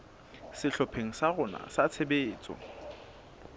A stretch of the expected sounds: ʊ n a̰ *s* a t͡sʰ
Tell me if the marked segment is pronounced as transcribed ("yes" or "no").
yes